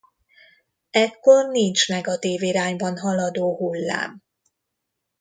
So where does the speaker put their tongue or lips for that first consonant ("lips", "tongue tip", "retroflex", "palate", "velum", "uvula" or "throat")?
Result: velum